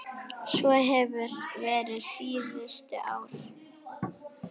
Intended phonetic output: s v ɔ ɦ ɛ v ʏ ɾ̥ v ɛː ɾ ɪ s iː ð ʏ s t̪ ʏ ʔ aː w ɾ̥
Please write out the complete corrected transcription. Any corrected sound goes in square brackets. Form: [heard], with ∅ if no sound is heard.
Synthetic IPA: s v ɔ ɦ ɛ v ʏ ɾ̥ v ɛː ɾ ɪ s iː ð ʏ s t̪ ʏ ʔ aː w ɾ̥